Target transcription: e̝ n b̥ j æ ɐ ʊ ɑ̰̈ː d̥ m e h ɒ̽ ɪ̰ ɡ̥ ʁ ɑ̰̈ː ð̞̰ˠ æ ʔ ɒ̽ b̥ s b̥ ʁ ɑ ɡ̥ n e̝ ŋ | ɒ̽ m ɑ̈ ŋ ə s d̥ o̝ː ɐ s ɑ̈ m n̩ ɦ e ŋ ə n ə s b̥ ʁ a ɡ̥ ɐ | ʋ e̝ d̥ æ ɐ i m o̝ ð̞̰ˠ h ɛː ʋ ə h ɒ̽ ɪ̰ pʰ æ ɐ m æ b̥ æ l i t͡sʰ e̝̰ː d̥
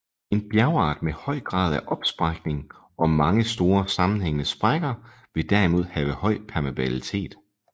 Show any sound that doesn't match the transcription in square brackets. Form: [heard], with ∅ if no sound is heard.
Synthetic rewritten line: e̝ n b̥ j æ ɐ ʊ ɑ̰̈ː d̥ m e h ɒ̽ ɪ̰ ɡ̥ ʁ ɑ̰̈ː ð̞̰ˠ æ ʔ ɒ̽ b̥ s b̥ ʁ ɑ ɡ̥ n e̝ ŋ | ɒ̽ m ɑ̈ ŋ ə s d̥ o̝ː ɐ s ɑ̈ m n̩ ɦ e ŋ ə n ə s b̥ ʁ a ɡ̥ ɐ | ʋ e̝ d̥ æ ɐ i m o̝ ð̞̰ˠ h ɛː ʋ ə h ɒ̽ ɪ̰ pʰ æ ɐ m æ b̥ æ l i t͡sʰ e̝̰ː d̥